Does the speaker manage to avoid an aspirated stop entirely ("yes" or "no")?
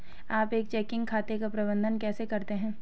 no